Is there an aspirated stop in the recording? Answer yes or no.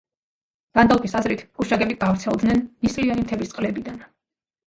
yes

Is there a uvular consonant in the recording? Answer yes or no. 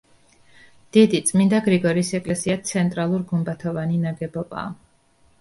no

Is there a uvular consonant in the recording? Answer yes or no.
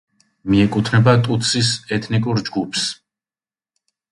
no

